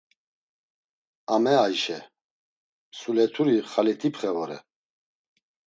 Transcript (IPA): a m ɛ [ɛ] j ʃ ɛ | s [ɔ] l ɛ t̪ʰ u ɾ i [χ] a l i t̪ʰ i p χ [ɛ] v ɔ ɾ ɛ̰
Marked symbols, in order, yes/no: no, no, yes, yes

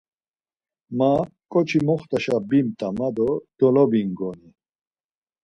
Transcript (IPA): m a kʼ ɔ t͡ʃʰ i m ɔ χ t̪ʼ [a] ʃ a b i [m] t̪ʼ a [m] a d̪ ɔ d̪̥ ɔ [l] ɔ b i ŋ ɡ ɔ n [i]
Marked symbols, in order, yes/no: yes, yes, yes, yes, yes

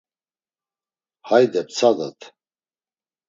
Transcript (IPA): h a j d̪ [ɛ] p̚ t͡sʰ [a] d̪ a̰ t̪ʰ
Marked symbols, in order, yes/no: yes, yes

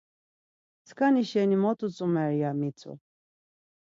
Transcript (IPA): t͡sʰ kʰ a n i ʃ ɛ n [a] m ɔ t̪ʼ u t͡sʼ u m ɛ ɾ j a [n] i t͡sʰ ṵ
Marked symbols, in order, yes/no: no, no

